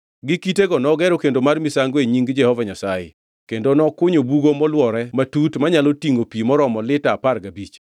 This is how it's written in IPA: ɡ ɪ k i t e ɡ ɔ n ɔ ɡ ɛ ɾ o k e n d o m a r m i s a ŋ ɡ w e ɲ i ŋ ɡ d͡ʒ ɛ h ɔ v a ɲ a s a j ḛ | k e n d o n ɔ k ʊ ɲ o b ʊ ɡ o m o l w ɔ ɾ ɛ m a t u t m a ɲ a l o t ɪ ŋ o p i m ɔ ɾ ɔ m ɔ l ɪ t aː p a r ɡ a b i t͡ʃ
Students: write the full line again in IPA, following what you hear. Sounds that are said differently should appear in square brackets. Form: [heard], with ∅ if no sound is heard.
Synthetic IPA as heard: ɡ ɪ k i t e ɡ ɔ n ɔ ɡ ɛ ɾ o k e n d o m a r m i s a ŋ ɡ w e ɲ i ŋ ɡ d͡ʒ ɛ h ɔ v a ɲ a s a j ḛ | k e n d o n ɔ k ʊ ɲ o b [u] ɡ o m [ɔ] l w ɔ ɾ ɛ m a t u t m a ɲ a l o t [i] ŋ o p i m ɔ ɾ ɔ m ɔ l ɪ t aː p a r ɡ a b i t͡ʃ